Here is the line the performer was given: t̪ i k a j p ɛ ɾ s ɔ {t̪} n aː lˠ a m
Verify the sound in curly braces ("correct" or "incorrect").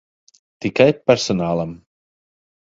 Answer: incorrect